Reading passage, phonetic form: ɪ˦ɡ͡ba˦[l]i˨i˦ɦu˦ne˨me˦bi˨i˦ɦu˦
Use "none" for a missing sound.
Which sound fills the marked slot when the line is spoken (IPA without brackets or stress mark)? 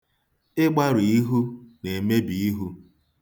ɾ